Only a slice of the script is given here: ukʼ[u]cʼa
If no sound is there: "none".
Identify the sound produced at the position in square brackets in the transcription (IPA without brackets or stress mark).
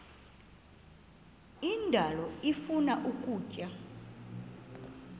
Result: uː